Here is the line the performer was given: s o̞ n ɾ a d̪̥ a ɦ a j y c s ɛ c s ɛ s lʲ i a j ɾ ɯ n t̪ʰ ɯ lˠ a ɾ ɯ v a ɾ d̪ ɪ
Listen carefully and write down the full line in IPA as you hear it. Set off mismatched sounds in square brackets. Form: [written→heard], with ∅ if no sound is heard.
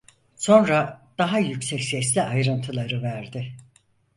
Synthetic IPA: s o̞ n ɾ a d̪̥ a ɦ a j y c s ɛ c s ɛ s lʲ i a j ɾ ɯ n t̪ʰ ɯ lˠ a ɾ ɯ v [a→æ] ɾ d̪ ɪ